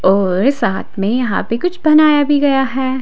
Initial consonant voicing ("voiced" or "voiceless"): voiced